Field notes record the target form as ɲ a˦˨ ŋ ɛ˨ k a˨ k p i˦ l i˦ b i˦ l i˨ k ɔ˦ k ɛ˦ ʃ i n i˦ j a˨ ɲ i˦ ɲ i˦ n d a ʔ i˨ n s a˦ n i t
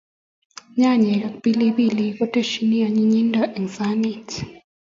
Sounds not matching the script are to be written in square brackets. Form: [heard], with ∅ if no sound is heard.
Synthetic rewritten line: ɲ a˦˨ [ɲ] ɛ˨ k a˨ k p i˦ l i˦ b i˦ l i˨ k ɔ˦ [t] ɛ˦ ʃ i n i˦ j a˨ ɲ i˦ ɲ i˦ n d a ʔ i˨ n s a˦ n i t